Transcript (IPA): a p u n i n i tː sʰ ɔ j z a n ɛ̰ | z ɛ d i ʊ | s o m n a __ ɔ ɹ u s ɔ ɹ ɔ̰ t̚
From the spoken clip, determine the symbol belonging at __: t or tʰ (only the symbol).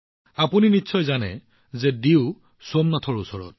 tʰ